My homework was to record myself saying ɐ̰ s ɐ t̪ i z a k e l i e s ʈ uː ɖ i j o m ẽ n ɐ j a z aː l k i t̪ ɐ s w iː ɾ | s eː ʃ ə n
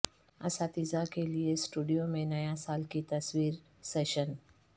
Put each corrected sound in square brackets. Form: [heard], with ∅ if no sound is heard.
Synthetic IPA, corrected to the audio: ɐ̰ s [a] t̪ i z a k e l i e s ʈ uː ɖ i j o m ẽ n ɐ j a [s] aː l k i t̪ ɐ s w iː ɾ | s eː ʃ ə n